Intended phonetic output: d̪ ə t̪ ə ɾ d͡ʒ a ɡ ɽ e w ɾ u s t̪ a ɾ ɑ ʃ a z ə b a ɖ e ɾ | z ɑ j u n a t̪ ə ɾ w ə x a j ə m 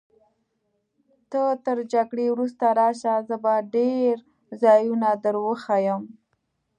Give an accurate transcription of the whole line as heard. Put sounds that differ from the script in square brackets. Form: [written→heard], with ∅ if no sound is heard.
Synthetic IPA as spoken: [d̪→t̪] ə t̪ ə ɾ d͡ʒ a ɡ ɽ e w ɾ u s t̪ a ɾ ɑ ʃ a z ə b a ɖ e ɾ | z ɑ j u n a [t̪→d̪] ə ɾ w ə x a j ə m

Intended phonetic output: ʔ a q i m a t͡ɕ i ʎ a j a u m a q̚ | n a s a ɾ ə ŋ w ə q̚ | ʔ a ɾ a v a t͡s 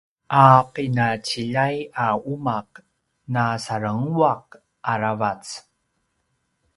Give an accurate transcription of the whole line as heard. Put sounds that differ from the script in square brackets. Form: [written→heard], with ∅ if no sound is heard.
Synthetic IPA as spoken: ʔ a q i [m→n] a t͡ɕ i ʎ a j a u m a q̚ | n a s a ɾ ə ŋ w [ə→a] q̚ | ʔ a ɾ a v a t͡s

